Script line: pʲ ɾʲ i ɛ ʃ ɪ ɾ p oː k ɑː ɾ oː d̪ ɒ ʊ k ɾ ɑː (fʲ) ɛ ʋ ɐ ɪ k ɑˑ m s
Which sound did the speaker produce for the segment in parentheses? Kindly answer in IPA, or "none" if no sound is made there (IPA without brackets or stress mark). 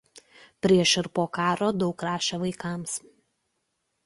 ʃʲ